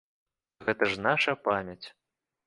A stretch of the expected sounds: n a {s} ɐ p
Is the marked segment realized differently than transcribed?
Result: yes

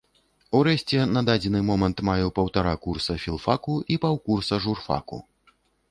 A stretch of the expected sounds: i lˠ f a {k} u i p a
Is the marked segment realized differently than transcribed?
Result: no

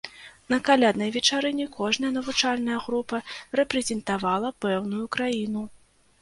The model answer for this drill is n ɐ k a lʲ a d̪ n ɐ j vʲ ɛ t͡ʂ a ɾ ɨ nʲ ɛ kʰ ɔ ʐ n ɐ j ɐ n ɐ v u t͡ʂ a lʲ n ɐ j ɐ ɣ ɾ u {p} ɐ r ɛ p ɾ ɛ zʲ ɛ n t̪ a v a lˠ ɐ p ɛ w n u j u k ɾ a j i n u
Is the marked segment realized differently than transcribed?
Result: no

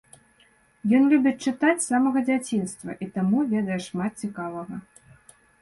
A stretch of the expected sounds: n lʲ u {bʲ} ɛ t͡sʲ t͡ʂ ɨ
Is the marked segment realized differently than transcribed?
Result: no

